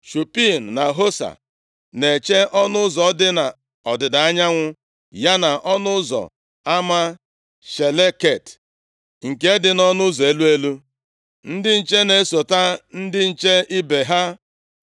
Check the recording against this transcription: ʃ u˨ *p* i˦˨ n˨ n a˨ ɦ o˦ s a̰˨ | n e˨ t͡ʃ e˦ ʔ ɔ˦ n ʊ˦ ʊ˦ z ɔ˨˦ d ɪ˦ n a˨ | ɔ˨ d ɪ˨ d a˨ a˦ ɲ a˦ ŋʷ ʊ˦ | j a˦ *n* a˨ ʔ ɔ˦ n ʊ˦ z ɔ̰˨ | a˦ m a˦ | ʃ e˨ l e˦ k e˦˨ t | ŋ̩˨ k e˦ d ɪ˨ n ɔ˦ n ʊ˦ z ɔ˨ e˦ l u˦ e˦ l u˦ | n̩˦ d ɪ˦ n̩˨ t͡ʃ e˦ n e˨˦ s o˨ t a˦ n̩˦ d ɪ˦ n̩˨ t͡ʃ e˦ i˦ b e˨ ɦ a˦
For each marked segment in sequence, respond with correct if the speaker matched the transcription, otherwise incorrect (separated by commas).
correct, correct